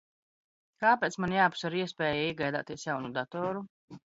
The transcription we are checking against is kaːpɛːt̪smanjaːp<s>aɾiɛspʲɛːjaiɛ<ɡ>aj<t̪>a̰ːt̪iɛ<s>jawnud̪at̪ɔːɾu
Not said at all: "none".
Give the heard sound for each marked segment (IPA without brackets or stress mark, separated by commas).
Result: s, ɡ, d̪, s